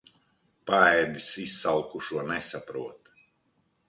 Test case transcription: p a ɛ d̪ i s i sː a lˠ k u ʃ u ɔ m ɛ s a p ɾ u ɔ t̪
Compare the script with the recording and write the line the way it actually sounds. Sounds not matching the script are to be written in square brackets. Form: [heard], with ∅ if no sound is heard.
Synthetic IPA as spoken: p a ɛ d̪ i s i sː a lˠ k u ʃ u ɔ [n] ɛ s a p ɾ u ɔ t̪